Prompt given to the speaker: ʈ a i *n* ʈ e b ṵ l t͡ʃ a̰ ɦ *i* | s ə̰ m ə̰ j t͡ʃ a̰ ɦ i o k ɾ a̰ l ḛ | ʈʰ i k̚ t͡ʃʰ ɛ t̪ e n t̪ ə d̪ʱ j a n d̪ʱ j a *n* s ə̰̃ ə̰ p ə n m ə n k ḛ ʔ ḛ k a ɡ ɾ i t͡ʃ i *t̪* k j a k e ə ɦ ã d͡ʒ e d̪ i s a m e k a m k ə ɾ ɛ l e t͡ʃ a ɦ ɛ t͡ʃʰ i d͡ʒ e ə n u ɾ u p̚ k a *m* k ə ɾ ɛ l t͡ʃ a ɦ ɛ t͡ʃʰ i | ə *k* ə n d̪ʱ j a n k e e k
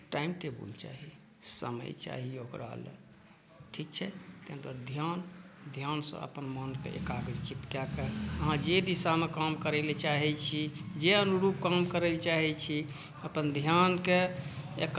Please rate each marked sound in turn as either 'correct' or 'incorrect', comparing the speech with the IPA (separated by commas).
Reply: incorrect, correct, correct, correct, correct, incorrect